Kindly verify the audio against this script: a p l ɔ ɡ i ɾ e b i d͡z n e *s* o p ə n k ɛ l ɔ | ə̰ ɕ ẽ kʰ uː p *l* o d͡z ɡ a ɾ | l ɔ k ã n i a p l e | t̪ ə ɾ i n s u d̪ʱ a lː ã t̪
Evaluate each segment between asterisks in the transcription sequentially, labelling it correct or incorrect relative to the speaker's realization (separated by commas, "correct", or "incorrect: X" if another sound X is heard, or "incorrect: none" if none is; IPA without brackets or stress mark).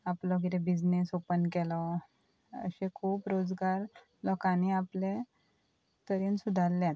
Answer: correct, incorrect: ɾ